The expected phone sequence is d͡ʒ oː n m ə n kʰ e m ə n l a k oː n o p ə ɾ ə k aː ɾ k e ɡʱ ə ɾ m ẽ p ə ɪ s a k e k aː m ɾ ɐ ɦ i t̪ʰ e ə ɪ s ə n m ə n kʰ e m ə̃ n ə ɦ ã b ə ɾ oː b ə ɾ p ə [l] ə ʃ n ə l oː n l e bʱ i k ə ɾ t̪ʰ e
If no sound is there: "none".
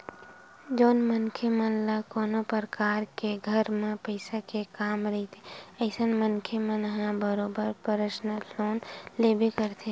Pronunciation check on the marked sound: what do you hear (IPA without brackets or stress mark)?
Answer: ɾ